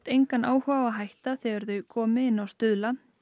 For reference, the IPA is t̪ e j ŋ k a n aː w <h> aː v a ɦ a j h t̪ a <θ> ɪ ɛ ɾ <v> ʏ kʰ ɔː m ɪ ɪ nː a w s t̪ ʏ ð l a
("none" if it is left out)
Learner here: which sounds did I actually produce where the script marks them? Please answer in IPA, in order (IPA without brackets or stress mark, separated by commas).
h, θ, ð